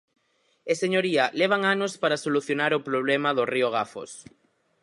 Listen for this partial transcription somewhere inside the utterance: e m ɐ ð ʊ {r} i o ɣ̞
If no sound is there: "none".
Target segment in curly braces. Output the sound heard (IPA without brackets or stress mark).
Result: r